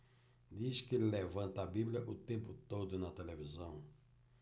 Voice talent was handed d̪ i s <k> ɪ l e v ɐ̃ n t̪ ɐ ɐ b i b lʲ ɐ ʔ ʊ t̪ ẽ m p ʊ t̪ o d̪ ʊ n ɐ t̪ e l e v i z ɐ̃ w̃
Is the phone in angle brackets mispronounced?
no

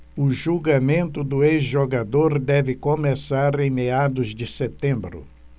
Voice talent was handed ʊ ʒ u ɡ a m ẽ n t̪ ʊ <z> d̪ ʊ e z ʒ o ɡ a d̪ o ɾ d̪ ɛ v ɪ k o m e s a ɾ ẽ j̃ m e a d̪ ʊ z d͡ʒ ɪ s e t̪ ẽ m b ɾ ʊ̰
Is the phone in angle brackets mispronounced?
yes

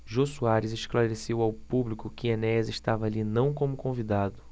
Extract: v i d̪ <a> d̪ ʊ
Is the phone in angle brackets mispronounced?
no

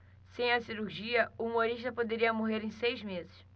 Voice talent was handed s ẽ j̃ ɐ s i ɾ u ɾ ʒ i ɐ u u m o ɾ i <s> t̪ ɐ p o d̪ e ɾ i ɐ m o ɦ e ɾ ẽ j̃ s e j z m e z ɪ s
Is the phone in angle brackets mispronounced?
yes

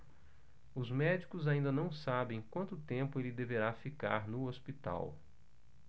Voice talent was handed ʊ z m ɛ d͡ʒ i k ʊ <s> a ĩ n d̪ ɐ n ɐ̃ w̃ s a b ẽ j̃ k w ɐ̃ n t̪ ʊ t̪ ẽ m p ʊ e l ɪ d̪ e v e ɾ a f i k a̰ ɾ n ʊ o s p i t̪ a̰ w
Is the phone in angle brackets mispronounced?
yes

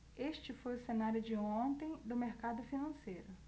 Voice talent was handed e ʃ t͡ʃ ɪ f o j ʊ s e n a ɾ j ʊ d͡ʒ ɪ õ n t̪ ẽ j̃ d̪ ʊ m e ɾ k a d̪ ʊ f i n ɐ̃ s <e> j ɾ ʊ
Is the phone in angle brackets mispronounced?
no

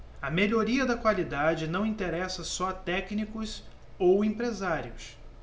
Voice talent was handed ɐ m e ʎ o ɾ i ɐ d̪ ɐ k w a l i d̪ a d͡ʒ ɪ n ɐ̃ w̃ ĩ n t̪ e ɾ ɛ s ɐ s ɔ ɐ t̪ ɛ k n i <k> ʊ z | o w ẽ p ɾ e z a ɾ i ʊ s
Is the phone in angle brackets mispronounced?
no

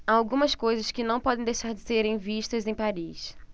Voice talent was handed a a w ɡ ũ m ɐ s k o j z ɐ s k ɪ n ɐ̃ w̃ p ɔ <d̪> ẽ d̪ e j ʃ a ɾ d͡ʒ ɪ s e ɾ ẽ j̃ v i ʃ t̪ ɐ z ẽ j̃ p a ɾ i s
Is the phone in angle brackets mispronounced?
no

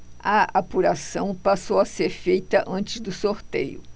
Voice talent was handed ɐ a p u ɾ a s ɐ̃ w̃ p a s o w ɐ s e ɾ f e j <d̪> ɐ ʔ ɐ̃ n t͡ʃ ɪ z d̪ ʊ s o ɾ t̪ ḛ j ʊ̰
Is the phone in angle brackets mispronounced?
yes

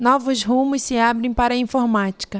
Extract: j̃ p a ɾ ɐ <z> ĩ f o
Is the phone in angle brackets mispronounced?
yes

